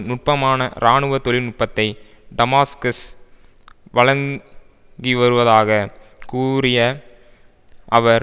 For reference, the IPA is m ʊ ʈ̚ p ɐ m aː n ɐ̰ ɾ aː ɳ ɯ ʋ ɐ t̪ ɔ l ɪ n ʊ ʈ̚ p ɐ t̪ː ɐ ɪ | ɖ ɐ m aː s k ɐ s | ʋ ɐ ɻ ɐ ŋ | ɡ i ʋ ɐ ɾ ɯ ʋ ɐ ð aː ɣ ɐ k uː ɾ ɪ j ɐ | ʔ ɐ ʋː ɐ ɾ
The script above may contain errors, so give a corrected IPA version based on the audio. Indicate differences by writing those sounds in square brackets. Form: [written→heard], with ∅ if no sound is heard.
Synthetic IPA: [m→n] ʊ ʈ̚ p ɐ m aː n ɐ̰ ɾ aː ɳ ɯ ʋ ɐ t̪ ɔ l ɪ n ʊ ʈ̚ p ɐ t̪ː ɐ ɪ | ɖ ɐ m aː s k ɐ s | ʋ ɐ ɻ ɐ ŋ | ɡ i ʋ ɐ ɾ ɯ ʋ ɐ ð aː ɣ ɐ k uː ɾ ɪ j ɐ | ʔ ɐ [ʋː→ʋ] ɐ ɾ